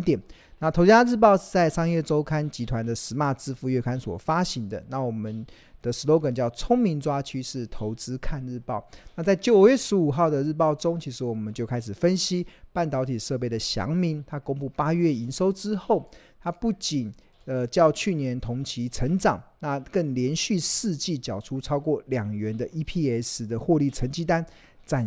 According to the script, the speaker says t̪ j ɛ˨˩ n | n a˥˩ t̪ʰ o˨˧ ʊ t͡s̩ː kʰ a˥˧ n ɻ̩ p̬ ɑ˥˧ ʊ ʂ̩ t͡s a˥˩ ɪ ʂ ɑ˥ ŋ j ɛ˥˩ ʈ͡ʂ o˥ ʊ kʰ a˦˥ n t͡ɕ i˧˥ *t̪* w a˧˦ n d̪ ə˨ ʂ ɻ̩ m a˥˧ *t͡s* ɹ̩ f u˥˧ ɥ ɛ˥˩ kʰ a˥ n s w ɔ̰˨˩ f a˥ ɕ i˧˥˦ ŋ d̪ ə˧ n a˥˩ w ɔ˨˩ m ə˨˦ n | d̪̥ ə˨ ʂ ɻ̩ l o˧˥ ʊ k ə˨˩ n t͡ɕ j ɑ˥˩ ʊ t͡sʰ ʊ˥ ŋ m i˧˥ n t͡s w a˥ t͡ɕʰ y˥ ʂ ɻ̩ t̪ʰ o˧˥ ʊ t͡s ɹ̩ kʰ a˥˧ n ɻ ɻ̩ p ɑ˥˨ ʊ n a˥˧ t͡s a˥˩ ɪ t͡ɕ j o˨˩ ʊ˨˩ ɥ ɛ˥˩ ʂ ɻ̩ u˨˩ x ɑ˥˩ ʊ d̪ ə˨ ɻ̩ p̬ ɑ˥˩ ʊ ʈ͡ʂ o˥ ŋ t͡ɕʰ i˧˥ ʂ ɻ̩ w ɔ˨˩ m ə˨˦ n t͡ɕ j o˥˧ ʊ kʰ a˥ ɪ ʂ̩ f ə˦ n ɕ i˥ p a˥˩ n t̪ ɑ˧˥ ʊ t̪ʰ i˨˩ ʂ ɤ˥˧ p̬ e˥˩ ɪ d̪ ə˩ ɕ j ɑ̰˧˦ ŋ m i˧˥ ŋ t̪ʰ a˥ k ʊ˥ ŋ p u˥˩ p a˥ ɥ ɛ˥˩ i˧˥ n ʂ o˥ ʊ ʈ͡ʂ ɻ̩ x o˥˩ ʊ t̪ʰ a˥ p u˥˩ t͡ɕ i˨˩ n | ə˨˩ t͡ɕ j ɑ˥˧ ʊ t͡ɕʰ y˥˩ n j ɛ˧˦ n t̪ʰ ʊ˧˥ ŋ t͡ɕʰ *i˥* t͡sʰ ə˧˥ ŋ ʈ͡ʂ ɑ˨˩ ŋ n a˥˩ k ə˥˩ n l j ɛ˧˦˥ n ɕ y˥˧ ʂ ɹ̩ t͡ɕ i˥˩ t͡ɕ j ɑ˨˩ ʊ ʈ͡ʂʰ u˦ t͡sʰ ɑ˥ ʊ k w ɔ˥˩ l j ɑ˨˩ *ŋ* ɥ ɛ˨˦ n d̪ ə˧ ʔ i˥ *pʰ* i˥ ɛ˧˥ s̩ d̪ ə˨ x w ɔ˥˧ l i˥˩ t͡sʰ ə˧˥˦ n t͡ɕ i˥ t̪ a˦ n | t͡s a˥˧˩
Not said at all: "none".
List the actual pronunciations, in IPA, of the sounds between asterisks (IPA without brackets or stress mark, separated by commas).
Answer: t̪ʰ, t͡s, i˧˥, ŋ, pʰ